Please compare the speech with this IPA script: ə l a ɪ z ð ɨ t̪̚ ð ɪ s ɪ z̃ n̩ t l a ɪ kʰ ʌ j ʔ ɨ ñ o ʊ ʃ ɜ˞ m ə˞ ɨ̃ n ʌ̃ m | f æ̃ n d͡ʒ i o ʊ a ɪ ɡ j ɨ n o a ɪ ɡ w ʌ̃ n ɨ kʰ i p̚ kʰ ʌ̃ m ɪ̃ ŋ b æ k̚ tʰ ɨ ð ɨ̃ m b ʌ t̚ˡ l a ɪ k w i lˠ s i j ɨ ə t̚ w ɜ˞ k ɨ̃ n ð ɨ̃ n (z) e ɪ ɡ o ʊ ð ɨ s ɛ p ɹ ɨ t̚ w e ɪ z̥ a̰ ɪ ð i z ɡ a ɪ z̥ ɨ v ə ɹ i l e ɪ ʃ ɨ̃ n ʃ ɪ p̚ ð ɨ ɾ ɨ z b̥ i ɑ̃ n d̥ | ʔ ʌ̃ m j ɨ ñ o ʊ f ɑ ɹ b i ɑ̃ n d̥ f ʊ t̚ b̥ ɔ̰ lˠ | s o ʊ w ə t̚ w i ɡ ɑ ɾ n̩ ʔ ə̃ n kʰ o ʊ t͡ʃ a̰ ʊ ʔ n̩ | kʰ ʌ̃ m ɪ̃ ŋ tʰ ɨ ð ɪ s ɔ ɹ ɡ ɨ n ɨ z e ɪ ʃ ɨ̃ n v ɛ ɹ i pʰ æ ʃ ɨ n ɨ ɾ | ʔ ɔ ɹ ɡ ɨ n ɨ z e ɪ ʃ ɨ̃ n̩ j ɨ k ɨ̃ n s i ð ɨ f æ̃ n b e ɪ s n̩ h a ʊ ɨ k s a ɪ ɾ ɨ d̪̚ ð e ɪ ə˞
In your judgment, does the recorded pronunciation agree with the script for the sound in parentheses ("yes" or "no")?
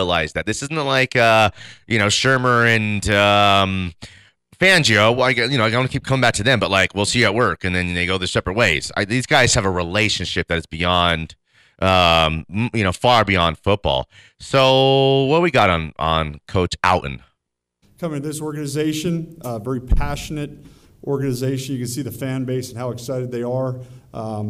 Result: no